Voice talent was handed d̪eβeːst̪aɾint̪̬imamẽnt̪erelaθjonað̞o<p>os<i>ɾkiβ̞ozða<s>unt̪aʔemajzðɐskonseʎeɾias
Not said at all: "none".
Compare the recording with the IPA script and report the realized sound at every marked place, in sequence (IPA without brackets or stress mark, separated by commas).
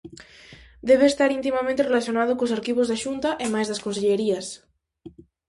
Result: k, a, ʃ